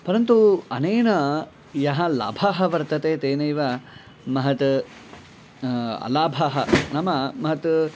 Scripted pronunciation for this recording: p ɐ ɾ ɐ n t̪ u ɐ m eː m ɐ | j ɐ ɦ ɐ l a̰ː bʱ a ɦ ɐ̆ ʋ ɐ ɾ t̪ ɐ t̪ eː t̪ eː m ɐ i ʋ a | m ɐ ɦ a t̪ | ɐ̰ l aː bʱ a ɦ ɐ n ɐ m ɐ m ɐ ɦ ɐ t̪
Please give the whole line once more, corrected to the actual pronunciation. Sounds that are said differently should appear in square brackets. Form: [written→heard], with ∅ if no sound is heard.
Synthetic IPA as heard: p ɐ ɾ ɐ n t̪ u ɐ [m→n] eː [m→n] ɐ | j ɐ ɦ ɐ l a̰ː bʱ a ɦ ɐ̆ ʋ ɐ ɾ t̪ ɐ t̪ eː t̪ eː [m→n] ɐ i ʋ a | m ɐ ɦ [a→ɐ] t̪ | ɐ̰ l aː bʱ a ɦ ɐ n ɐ m ɐ m ɐ ɦ ɐ t̪